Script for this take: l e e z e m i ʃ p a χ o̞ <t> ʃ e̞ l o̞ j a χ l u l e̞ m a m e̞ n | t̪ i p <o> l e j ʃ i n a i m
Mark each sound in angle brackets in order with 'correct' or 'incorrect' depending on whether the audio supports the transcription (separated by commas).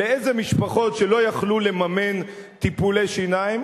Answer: correct, incorrect